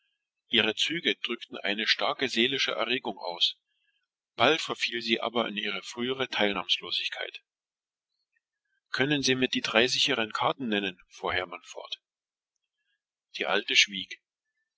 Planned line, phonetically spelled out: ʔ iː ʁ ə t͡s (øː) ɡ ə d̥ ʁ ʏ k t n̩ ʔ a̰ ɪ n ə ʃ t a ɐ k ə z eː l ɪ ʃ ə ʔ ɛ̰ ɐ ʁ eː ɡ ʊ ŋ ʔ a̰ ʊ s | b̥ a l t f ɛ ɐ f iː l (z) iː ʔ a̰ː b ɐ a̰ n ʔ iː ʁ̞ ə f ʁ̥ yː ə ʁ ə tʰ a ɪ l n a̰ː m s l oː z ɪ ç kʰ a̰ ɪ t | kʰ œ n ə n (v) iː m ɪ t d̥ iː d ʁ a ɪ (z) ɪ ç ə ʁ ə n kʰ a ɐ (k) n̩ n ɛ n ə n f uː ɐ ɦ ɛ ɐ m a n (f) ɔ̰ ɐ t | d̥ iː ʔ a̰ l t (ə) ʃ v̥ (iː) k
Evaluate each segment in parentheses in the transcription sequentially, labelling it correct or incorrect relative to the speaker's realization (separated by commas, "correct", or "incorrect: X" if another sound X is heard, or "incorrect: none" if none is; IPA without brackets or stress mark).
incorrect: yː, correct, incorrect: z, correct, incorrect: t, correct, correct, correct